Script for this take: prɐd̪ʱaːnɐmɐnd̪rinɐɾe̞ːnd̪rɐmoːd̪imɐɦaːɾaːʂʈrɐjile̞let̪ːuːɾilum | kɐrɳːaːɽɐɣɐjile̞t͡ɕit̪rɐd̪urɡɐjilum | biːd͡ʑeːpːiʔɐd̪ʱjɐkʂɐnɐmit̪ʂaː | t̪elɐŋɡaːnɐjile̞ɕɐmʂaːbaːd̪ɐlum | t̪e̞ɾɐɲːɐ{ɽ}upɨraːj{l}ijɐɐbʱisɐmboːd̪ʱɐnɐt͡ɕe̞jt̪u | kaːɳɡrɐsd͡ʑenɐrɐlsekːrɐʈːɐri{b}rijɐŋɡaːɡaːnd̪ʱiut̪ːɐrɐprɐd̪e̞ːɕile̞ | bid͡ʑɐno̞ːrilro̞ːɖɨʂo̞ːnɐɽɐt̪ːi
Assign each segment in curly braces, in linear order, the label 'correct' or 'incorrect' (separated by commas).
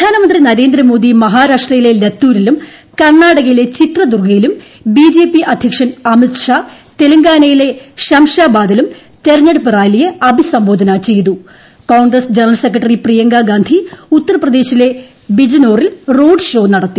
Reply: correct, correct, incorrect